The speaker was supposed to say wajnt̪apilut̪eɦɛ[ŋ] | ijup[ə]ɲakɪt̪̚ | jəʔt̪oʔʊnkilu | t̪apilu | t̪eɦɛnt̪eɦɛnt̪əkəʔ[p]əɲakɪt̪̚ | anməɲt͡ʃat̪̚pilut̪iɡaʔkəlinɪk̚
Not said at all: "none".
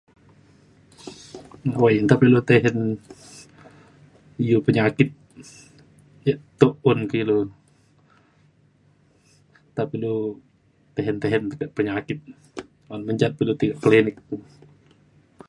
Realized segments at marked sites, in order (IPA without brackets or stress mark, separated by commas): n, ə, p